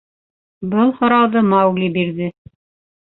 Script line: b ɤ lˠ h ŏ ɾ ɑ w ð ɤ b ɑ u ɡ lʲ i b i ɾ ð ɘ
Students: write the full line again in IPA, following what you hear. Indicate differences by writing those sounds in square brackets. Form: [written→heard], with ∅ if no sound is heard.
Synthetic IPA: b ɤ lˠ h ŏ ɾ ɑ w ð ɤ [b→m] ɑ [u→w] ɡ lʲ i b i ɾ ð ɘ